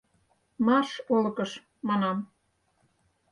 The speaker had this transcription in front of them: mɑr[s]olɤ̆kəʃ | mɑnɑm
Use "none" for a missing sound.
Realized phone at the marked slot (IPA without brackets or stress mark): ʃ